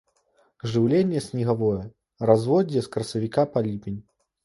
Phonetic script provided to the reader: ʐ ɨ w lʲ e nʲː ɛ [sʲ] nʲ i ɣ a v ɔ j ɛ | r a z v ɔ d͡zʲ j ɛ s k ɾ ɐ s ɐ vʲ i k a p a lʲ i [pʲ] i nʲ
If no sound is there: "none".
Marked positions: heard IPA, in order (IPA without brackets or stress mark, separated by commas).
sʲ, pʲ